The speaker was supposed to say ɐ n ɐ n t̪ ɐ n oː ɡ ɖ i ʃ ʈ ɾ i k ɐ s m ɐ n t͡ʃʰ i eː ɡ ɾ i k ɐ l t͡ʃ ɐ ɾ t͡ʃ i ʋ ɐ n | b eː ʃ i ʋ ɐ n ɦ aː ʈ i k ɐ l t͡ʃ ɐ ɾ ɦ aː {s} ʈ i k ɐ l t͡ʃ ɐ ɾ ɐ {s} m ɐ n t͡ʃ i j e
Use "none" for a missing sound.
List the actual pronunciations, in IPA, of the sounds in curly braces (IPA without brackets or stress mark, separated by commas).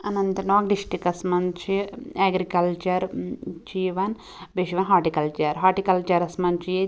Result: none, s